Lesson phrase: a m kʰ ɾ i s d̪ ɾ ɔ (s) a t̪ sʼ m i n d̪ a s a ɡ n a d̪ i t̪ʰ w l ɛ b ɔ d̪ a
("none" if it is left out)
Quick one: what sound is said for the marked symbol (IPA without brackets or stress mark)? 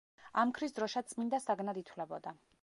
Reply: ʃ